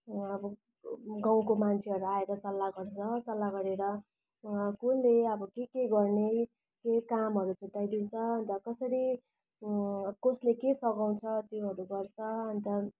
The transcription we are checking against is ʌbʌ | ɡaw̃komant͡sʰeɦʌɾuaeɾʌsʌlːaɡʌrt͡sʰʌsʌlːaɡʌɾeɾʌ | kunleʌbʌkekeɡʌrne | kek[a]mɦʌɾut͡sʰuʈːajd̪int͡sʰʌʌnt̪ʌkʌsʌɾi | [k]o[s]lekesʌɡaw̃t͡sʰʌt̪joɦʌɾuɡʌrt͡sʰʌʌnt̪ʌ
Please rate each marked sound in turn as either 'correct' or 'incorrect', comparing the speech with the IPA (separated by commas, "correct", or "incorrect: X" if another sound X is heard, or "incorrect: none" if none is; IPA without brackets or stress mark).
correct, correct, correct